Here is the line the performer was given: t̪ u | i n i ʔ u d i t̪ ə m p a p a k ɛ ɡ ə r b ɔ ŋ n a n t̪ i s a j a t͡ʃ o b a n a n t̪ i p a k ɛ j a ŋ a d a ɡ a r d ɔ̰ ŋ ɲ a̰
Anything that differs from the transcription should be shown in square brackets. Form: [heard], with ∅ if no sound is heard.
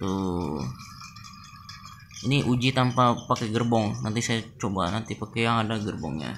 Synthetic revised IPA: t̪ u | i n i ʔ u [d͡ʒ] i t̪ [a] m p a p a k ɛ ɡ ə r b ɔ ŋ n a n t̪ i s a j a t͡ʃ o b a n a n t̪ i p a k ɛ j a ŋ a d a ɡ [ə] r [b] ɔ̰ ŋ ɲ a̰